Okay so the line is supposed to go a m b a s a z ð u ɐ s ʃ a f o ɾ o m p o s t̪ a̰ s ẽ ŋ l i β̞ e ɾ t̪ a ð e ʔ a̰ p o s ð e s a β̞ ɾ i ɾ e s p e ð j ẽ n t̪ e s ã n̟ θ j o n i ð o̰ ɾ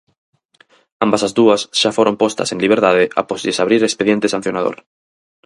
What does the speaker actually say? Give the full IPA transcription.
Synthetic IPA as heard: a m b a s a z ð u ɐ s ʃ a f o ɾ o m p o s t̪ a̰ s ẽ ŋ l i β̞ e ɾ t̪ a ð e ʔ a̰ p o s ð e s a β̞ ɾ i ɾ e s p e ð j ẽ n t̪ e s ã n̟ θ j o n a ð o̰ ɾ